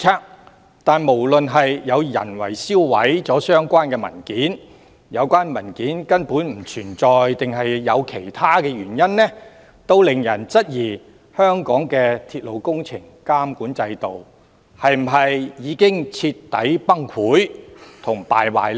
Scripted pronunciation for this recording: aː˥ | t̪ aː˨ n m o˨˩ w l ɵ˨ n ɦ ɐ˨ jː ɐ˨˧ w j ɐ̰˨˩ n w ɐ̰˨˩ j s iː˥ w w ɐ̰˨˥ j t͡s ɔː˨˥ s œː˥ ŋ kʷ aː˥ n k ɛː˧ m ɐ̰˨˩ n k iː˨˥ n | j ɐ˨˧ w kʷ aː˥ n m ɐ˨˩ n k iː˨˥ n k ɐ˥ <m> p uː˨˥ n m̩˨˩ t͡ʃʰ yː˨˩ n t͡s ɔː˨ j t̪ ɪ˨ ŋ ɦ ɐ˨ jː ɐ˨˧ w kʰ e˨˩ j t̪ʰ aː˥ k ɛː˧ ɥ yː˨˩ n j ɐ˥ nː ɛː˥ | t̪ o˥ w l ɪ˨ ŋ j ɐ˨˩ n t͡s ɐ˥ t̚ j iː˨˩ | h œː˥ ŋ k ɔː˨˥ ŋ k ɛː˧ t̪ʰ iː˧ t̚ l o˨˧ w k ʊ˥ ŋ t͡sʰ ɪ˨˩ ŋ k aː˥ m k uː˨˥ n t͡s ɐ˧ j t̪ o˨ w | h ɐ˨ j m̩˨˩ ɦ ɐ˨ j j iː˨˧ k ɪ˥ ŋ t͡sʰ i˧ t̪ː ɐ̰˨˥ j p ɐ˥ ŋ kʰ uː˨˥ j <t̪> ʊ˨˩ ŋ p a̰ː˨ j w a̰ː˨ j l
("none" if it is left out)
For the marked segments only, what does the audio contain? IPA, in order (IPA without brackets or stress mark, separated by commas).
n, t̪ʰ